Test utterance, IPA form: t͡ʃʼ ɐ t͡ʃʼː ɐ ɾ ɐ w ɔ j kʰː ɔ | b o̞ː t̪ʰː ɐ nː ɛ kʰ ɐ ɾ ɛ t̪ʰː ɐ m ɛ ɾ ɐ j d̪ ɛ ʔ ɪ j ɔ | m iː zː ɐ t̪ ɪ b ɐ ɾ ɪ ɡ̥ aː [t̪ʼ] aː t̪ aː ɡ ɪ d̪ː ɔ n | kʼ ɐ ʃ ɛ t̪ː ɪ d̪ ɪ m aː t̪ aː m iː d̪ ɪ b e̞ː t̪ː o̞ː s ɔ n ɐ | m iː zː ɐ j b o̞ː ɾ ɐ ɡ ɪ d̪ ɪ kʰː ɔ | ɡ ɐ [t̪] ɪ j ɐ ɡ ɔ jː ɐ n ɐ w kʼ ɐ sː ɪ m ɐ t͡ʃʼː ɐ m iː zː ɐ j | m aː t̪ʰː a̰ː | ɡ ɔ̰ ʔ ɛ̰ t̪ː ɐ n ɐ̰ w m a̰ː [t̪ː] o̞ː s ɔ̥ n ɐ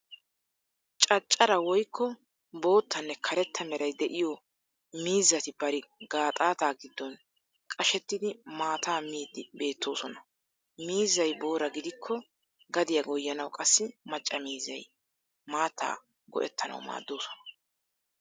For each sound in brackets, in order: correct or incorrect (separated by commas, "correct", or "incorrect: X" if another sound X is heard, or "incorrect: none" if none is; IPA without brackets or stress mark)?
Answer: correct, incorrect: d̪, incorrect: d̪ː